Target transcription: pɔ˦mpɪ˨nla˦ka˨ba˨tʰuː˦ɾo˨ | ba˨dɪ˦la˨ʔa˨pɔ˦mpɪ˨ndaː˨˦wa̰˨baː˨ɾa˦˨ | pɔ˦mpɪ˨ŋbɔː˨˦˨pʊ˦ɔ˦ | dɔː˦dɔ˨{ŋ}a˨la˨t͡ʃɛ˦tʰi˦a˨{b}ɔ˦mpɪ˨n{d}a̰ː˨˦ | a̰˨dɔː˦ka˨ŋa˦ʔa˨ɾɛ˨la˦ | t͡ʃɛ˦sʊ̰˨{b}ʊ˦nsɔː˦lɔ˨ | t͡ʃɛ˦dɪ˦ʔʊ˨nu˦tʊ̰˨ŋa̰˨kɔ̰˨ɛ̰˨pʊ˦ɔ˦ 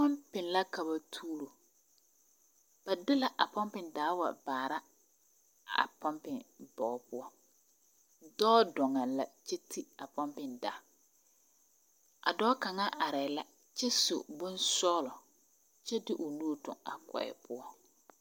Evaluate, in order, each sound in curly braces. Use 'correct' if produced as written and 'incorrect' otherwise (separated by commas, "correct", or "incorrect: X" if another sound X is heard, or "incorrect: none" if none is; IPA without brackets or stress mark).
correct, incorrect: p, correct, correct